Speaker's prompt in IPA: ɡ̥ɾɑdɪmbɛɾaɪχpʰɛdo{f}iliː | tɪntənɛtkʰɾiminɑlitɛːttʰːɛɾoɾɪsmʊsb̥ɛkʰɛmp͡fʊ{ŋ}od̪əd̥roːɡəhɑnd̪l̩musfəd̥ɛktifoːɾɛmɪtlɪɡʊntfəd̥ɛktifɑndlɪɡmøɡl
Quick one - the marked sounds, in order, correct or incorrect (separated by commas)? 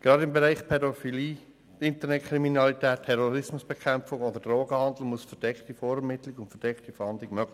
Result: correct, correct